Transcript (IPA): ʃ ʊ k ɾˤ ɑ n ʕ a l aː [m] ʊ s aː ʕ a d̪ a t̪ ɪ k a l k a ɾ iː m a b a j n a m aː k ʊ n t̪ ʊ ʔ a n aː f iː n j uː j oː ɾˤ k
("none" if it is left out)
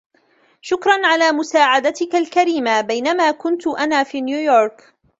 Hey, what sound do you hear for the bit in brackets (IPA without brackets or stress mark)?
m